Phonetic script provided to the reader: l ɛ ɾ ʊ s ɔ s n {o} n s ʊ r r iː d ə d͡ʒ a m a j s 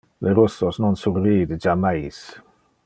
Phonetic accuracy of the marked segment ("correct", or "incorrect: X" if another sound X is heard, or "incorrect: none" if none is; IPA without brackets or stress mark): incorrect: ɔ